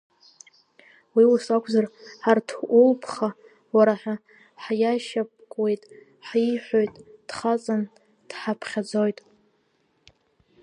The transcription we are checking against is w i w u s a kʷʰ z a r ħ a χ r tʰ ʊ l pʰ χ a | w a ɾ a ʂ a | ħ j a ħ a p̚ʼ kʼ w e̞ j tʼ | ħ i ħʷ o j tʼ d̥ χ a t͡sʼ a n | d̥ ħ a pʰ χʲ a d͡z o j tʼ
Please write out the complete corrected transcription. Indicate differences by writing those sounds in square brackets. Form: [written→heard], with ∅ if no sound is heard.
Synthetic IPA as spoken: w i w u s a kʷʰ z a r ħ a [χ→∅] r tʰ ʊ l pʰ χ a | w a ɾ a [ʂ→ħ] a | ħ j a [ħ→ʃ] a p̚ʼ kʼ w e̞ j tʼ | ħ i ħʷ o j tʼ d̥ χ a t͡sʼ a n | d̥ ħ a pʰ χʲ a d͡z o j tʼ